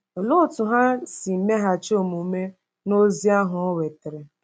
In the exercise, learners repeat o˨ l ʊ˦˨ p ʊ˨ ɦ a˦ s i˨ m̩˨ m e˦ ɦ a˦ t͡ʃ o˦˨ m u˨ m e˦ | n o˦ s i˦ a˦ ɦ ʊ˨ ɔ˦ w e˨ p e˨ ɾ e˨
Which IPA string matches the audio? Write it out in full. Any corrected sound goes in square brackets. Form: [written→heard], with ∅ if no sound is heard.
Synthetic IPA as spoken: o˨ l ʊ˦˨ [p→t] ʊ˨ ɦ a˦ s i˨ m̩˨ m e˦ ɦ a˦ t͡ʃ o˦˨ m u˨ m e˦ | n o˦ [s→z] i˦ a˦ ɦ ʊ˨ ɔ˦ w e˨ [p→t] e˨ ɾ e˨

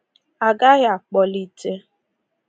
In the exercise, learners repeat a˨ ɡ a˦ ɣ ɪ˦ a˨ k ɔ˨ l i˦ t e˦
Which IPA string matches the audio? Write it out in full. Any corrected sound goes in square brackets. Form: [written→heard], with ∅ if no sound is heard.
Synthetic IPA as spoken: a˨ ɡ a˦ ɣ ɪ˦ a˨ [k→k͡p] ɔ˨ l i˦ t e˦

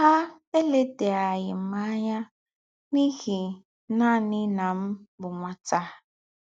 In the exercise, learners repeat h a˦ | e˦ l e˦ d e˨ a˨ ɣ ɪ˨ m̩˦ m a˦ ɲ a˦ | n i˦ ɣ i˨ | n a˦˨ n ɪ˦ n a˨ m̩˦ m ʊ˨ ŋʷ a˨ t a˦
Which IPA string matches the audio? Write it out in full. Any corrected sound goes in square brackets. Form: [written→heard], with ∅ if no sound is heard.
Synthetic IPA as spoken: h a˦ | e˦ l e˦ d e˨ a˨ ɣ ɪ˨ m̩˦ m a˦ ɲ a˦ | n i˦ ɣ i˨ | n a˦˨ n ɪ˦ n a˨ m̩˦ [m→b] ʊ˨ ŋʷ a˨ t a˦

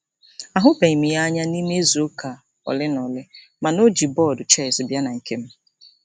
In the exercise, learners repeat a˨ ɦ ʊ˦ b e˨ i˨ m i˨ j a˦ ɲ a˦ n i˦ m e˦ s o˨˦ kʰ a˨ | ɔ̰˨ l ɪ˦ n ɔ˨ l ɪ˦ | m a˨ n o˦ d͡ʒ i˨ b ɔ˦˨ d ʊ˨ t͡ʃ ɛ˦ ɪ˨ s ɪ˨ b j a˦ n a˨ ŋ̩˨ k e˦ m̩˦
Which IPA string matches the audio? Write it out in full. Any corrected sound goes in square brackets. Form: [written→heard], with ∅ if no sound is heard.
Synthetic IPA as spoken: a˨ ɦ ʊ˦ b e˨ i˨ m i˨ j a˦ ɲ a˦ n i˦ m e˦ [s→z] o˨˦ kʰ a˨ | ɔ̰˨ l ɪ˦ n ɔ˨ l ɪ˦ | m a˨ n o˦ d͡ʒ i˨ b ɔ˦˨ d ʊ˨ t͡ʃ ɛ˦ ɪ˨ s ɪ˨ b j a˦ n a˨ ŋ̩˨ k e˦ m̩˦

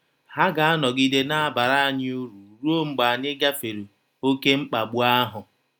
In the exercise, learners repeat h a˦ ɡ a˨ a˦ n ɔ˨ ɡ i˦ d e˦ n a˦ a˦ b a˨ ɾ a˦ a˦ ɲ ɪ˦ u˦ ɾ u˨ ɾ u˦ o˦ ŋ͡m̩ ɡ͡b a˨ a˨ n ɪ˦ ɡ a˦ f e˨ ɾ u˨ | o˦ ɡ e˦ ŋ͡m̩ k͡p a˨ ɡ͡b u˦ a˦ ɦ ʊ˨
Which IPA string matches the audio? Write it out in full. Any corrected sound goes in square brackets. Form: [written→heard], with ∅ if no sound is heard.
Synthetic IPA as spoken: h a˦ ɡ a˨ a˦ n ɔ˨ ɡ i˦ d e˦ n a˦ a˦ b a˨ ɾ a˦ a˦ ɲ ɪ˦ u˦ ɾ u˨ ɾ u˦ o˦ ŋ͡m̩ ɡ͡b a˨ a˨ [n→ɲ] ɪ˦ ɡ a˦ f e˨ ɾ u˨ | o˦ [ɡ→k] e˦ ŋ͡m̩ k͡p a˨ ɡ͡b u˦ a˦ ɦ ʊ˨

